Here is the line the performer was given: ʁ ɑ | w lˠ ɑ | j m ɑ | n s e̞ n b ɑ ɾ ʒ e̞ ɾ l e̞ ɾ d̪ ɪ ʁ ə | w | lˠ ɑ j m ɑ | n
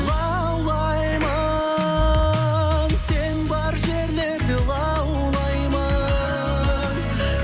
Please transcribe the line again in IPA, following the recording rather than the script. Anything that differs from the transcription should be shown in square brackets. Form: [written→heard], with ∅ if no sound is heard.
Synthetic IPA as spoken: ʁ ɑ | w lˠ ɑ | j m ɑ | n s e̞ n b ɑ ɾ ʒ e̞ ɾ l e̞ ɾ d̪ ɪ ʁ [ə→ɑ] | w | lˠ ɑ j m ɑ | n